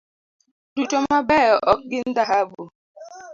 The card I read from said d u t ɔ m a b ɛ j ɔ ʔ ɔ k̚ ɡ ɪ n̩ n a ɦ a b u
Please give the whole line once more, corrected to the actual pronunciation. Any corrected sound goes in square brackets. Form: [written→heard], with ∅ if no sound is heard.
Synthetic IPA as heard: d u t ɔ m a b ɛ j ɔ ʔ ɔ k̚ ɡ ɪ n̩ [n→d] a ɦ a b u